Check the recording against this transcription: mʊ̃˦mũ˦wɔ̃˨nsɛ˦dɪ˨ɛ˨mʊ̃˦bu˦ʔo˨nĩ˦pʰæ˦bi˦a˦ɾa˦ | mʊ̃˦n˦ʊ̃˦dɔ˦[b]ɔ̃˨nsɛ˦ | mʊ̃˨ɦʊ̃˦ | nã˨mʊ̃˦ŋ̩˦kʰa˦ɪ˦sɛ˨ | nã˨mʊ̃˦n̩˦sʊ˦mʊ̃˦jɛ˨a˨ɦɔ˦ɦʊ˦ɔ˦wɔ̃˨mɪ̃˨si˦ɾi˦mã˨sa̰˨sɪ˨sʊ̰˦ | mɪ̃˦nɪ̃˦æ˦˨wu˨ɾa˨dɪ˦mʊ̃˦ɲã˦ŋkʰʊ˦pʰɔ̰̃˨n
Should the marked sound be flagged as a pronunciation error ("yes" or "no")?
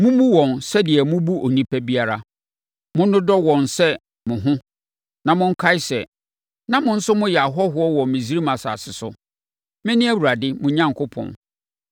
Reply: yes